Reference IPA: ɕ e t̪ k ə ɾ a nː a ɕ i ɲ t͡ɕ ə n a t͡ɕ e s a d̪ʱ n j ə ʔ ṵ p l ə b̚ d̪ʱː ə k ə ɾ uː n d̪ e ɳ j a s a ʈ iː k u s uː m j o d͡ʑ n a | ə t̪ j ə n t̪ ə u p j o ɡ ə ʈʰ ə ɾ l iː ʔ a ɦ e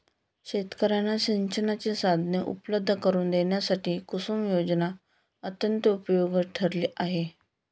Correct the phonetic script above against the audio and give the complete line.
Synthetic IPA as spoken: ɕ e t̪ k ə ɾ a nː a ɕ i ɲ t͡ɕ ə n a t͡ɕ e s a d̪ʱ n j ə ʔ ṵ p l ə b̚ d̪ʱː ə k ə ɾ uː n d̪ e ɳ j a s a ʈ iː k u s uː m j o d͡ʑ n a | ə t̪ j ə n t̪ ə u p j o ɡ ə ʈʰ ə ɾ l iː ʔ a ɦ e